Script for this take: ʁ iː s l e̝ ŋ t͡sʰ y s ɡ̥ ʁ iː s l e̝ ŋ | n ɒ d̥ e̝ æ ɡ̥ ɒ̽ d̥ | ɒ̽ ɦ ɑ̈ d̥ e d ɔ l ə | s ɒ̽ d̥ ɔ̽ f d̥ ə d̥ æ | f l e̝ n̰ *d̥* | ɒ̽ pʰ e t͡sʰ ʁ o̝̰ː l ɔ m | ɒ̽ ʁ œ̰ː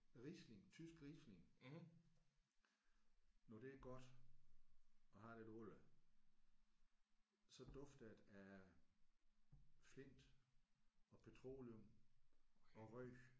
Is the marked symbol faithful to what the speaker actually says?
yes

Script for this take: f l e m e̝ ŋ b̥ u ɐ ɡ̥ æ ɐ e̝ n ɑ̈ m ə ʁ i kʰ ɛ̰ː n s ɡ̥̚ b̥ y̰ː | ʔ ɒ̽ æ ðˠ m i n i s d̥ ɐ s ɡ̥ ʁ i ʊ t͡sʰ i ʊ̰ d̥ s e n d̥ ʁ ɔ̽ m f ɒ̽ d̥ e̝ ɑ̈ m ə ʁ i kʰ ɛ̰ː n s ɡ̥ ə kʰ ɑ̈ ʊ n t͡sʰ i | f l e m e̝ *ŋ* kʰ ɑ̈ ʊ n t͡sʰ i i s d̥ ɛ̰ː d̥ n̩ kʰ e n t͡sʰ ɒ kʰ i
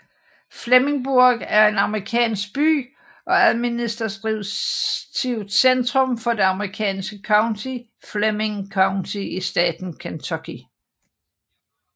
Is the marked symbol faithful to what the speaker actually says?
yes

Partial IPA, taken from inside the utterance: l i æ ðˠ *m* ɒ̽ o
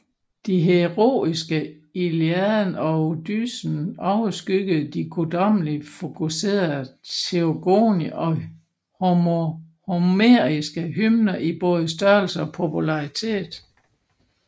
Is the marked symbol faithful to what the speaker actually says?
no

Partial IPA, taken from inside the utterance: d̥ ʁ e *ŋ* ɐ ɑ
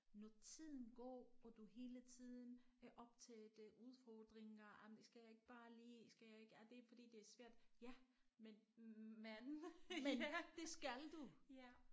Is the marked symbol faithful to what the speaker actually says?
yes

